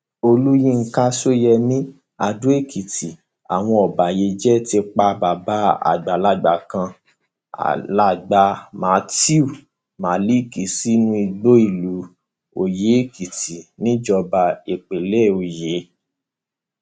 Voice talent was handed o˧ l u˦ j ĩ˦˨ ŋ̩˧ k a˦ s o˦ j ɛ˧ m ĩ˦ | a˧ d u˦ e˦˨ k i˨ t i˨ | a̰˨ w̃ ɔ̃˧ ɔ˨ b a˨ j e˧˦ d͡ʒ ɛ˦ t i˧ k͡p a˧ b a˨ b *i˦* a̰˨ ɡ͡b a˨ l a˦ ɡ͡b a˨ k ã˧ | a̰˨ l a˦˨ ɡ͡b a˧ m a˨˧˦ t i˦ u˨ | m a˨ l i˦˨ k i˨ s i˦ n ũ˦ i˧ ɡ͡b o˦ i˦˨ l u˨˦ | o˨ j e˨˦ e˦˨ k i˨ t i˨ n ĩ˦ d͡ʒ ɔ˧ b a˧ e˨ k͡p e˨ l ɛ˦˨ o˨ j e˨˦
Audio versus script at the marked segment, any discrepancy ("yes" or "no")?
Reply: yes